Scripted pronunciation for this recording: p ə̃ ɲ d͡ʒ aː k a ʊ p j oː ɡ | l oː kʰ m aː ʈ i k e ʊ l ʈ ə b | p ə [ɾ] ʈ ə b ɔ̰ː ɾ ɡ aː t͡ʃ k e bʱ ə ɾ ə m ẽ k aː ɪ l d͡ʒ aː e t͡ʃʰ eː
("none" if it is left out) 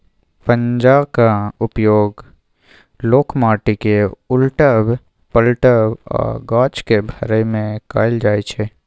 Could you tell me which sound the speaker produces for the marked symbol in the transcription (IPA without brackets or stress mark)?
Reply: l